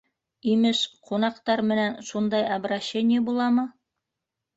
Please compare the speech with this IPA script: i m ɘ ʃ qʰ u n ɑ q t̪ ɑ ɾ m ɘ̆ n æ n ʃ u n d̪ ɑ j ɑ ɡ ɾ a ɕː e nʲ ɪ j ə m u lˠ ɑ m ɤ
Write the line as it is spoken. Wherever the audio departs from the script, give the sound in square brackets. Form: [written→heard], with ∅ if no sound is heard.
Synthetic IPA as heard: i m ɘ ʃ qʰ u n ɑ q t̪ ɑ ɾ m ɘ̆ n æ n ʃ u n d̪ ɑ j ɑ [ɡ→b] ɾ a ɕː e nʲ ɪ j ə [m→b] u lˠ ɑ m ɤ